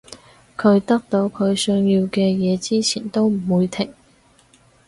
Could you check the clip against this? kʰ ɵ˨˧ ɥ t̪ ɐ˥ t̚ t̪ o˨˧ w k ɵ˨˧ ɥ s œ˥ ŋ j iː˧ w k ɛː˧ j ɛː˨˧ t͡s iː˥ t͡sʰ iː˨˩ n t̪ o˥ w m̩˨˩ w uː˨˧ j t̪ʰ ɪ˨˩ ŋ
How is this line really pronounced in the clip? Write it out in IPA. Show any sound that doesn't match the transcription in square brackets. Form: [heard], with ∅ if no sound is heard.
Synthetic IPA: kʰ ɵ˨˧ ɥ t̪ ɐ˥ [k̚] t̪ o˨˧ w [kʰ] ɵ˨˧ ɥ s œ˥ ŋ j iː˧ w k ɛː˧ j ɛː˨˧ t͡s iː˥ t͡sʰ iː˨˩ n t̪ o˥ w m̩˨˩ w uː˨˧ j t̪ʰ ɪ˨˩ ŋ